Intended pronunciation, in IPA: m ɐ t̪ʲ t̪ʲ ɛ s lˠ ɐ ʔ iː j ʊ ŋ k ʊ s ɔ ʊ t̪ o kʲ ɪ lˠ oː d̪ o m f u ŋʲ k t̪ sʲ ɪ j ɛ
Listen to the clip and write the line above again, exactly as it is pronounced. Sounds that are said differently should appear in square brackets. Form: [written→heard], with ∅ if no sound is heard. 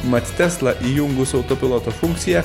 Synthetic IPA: m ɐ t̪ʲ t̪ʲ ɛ s lˠ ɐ ʔ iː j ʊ ŋ [k→ɡ] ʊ s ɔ ʊ t̪ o [kʲ→pʲ] ɪ lˠ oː [d̪→t̪] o [m→∅] f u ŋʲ k t̪ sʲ ɪ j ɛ